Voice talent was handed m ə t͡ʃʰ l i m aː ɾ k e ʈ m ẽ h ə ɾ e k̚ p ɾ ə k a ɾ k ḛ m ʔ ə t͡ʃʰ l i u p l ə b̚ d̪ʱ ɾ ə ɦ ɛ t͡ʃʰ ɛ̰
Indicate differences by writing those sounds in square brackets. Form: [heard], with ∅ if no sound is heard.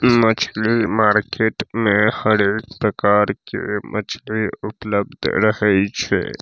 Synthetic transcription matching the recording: m ə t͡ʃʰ l i m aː ɾ k e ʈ m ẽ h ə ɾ e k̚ p ɾ ə k a ɾ k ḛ m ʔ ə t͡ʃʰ l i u p l ə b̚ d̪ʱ ɾ ə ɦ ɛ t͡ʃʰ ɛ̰